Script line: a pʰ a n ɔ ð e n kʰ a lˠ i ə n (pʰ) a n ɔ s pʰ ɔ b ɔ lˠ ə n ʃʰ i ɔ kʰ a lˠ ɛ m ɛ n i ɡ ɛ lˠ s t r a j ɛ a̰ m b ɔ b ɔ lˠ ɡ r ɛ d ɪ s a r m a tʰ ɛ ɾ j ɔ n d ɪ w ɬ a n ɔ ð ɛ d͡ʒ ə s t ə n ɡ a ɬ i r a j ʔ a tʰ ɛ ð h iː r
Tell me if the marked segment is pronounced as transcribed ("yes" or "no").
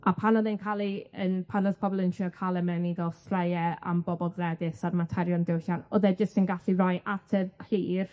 yes